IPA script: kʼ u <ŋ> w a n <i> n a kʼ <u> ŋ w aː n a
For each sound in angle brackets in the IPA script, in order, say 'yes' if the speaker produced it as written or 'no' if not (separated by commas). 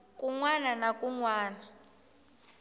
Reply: yes, no, yes